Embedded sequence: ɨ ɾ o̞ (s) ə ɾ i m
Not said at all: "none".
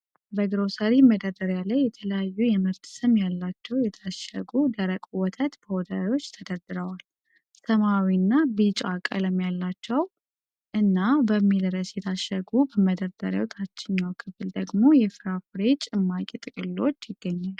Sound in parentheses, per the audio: s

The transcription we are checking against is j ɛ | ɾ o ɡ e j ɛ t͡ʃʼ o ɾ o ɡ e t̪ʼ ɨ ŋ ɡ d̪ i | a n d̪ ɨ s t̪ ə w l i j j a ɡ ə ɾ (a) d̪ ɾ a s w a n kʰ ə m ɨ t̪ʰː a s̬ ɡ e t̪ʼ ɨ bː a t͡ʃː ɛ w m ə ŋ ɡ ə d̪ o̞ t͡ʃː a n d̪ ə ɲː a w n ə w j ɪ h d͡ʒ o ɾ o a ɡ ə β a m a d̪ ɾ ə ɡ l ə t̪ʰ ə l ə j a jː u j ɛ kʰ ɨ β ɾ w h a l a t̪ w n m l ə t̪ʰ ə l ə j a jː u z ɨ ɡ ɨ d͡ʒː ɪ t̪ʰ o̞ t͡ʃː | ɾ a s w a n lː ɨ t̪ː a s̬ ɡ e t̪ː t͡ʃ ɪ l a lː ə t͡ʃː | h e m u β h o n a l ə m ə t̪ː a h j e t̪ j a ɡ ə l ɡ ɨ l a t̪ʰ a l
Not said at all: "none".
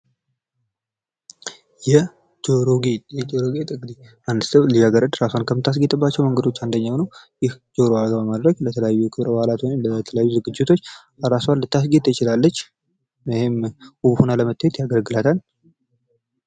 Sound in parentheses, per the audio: ə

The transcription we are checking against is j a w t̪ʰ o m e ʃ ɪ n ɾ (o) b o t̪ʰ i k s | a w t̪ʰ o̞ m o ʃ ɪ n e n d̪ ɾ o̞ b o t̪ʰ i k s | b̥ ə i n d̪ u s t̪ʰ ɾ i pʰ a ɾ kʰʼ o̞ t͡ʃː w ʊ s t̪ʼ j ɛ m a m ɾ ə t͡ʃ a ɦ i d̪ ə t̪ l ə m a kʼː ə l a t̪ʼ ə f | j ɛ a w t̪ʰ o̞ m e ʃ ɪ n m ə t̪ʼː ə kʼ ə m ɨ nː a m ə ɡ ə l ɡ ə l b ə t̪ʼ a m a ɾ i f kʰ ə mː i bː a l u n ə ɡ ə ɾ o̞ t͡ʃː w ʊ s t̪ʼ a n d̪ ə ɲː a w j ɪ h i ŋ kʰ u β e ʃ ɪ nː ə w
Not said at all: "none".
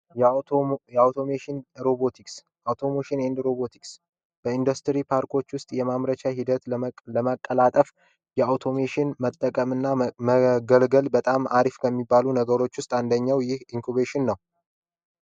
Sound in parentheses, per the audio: o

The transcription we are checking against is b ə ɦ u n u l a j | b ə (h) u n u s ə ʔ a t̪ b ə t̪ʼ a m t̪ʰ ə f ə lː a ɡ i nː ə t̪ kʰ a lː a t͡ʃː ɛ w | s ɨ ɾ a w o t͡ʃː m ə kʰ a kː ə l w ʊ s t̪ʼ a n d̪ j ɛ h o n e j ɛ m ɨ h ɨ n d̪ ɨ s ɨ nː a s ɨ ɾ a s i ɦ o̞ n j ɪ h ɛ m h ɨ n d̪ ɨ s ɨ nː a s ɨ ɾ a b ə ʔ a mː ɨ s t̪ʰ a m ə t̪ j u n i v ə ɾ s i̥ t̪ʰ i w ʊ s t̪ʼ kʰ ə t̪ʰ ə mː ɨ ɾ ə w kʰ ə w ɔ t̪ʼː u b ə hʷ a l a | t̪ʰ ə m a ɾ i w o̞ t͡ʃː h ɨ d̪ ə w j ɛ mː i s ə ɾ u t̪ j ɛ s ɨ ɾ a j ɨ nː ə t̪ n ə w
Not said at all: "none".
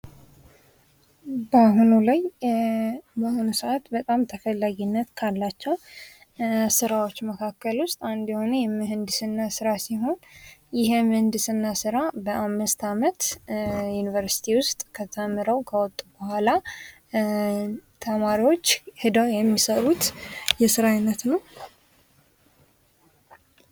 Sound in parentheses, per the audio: h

